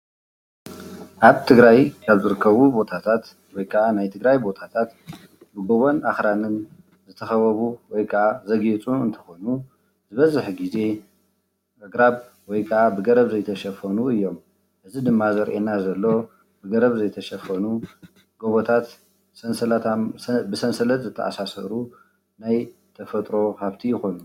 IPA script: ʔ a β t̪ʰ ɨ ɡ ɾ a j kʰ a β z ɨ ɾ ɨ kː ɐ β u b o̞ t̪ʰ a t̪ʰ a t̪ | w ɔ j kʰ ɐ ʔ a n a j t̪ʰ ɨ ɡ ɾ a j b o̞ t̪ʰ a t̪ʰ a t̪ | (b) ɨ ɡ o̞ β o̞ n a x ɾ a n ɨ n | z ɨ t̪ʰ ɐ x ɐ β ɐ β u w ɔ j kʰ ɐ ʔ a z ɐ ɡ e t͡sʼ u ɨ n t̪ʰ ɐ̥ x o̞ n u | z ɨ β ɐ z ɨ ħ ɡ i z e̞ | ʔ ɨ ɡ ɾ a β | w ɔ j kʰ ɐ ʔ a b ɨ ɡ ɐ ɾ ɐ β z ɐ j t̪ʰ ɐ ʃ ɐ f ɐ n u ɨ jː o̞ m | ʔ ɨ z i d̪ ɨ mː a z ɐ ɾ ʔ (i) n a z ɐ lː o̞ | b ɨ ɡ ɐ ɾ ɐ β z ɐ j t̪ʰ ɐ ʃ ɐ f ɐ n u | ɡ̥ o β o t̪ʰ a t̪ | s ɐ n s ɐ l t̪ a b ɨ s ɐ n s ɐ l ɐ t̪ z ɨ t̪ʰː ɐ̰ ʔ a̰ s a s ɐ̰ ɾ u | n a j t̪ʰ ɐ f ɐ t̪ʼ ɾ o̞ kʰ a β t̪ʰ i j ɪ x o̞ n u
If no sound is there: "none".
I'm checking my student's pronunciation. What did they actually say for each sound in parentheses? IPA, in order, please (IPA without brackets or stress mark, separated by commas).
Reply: b, e